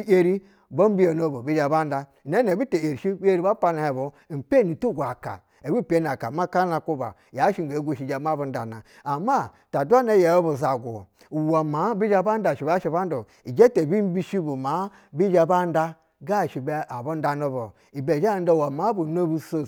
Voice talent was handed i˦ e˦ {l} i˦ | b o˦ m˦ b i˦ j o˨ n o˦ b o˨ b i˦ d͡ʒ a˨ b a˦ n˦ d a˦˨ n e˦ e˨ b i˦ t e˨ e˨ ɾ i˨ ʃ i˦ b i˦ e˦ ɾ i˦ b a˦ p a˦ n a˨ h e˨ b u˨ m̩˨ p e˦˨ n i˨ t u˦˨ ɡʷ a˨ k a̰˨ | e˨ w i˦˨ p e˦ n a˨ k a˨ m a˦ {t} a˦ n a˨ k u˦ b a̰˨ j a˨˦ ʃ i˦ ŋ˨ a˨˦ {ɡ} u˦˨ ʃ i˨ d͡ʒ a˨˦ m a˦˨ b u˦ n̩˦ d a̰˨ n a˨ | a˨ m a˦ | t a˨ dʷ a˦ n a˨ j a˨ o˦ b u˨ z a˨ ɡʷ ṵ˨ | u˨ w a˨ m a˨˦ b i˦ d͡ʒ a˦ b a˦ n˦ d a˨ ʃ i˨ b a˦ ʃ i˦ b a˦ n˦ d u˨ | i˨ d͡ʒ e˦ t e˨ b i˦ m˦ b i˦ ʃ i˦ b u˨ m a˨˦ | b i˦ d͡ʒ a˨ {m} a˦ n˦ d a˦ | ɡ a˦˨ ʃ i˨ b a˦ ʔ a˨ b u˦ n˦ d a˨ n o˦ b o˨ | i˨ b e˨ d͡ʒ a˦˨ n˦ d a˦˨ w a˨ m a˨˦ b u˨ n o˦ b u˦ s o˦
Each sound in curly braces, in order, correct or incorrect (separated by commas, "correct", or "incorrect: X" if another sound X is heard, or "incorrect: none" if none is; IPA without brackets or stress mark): incorrect: ɾ, incorrect: k, correct, incorrect: b